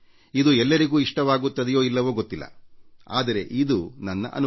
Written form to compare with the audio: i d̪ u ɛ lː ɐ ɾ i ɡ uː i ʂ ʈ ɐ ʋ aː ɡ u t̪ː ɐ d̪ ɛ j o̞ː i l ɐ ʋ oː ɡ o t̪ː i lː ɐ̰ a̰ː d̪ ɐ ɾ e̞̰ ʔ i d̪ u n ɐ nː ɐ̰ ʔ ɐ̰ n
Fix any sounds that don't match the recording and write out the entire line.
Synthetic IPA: i d̪ u ɛ lː ɐ ɾ i ɡ uː i ʂ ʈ ɐ ʋ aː ɡ u t̪ː ɐ d̪ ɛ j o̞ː i lː ɐ ʋ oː ɡ o t̪ː i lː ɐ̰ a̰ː d̪ ɐ ɾ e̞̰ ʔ i d̪ u n ɐ nː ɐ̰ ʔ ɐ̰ n